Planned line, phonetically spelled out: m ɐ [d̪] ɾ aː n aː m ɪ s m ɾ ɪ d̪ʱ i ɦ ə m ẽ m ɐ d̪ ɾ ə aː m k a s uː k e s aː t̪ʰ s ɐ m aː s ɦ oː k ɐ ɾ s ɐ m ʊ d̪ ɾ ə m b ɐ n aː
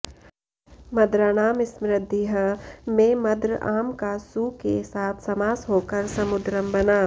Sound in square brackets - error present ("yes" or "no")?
no